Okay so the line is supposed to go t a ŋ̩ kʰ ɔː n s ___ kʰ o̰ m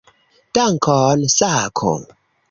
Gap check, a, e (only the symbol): a